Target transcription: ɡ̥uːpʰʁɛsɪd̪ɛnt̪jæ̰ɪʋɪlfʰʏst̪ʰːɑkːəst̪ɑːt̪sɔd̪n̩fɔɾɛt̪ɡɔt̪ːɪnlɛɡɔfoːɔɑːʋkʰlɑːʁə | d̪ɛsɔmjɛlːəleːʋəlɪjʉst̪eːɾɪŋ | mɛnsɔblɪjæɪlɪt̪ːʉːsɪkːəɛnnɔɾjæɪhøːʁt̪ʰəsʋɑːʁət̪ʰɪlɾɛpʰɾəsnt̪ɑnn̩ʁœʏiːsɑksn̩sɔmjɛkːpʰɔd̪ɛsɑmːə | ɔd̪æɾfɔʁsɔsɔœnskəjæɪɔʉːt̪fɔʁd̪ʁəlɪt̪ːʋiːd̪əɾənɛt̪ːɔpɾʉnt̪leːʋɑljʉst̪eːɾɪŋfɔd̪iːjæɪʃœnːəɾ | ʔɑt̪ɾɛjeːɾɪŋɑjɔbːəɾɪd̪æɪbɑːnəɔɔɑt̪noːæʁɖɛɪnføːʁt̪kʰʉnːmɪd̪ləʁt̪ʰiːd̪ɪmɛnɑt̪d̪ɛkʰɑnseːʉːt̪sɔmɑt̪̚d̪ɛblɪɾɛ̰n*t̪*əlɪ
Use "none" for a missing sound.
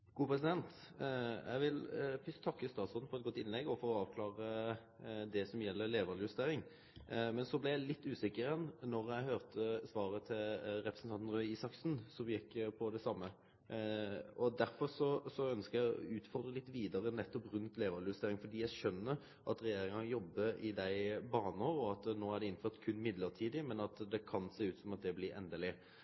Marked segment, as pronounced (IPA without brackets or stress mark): d̪